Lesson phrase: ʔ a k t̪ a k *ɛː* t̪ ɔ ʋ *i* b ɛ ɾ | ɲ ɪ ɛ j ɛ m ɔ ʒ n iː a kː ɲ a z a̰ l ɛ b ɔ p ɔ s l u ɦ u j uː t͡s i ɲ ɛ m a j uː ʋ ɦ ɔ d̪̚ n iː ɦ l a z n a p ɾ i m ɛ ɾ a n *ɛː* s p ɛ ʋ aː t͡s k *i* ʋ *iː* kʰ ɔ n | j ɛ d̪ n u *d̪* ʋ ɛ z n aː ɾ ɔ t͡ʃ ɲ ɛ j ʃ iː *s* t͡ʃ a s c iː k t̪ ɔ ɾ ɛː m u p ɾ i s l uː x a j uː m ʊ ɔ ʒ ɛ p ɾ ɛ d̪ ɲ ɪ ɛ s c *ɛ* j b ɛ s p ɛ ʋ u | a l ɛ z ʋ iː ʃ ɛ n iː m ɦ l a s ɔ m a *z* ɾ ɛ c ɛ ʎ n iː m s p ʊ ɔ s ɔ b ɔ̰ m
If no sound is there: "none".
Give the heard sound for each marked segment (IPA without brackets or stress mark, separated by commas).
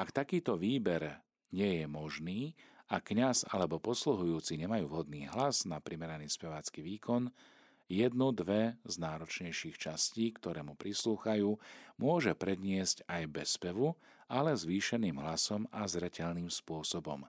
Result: iː, iː, iː, i, iː, d̪, x, a, z